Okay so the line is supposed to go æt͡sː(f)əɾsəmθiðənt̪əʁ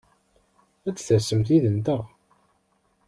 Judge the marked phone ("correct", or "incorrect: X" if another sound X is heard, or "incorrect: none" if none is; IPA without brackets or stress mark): incorrect: θ